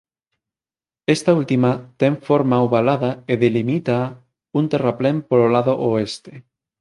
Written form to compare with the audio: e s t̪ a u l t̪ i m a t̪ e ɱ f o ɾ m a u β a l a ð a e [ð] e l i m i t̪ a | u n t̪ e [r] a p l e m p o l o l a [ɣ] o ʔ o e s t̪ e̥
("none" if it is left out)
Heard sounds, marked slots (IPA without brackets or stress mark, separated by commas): ð, r, ð